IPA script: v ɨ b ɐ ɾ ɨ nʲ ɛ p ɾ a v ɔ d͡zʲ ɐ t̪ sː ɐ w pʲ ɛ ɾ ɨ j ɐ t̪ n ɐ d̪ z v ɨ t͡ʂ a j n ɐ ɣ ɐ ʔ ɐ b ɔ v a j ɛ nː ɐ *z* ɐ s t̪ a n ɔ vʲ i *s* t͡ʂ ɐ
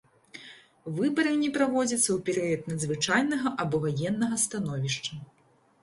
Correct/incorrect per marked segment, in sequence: incorrect, incorrect

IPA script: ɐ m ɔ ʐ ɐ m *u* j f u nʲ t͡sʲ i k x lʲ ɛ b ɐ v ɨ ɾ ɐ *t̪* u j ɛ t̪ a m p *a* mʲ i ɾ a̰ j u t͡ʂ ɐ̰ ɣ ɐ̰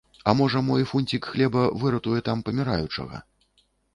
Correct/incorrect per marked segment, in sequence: incorrect, correct, incorrect

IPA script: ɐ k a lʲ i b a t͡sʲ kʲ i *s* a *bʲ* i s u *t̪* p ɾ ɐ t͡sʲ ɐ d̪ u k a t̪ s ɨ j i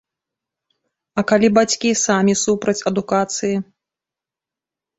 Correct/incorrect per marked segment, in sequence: correct, incorrect, incorrect

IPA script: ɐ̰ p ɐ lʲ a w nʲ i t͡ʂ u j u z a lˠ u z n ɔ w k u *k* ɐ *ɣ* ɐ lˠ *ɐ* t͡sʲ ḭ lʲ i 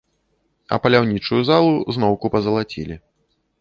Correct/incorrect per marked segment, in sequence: incorrect, incorrect, incorrect

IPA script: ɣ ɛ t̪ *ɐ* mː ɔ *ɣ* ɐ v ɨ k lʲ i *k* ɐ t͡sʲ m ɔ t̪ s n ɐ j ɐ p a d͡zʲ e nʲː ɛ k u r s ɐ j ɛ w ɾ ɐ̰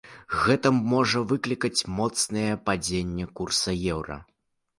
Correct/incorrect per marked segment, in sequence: correct, incorrect, correct

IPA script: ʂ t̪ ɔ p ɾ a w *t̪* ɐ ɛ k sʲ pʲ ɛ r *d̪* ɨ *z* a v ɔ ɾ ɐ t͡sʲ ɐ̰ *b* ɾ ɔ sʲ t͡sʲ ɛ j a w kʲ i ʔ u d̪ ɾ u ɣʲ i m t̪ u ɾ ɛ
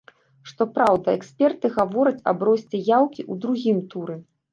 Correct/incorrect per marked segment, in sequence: incorrect, incorrect, incorrect, correct

